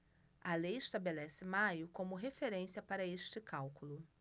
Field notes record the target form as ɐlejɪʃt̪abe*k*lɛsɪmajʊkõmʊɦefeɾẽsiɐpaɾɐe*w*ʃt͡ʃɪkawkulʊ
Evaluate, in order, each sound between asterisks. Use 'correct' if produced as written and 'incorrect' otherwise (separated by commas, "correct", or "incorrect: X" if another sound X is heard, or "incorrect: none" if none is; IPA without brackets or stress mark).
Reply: incorrect: none, incorrect: none